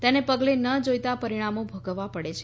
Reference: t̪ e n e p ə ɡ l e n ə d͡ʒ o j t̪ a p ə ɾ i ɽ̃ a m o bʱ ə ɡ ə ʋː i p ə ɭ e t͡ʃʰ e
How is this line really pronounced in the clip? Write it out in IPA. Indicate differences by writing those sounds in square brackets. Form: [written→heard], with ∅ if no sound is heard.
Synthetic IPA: t̪ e n e p ə ɡ l e n ə d͡ʒ o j t̪ a p ə ɾ i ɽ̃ a m o bʱ ə ɡ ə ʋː [i→a] p ə [ɭ→ɽ] e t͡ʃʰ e

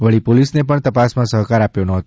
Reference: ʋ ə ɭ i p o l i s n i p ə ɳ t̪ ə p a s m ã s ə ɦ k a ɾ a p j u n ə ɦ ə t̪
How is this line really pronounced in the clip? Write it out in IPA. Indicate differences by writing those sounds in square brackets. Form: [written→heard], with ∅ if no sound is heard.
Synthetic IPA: ʋ ə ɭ i p o l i s n [i→e] p ə ɳ t̪ ə p a s m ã s ə ɦ k a ɾ a p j [u→o] n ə ɦ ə t̪

